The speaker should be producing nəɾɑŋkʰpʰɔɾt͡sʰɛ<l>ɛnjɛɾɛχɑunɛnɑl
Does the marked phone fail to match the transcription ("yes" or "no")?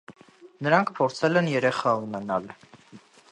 no